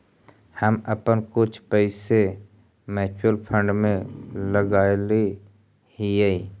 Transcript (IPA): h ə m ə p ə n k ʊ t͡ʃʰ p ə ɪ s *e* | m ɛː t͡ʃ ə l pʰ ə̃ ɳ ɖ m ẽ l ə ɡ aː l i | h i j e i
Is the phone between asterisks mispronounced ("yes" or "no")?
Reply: no